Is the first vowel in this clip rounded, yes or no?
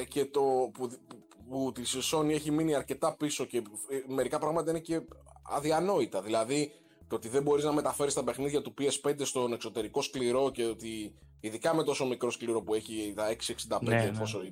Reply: no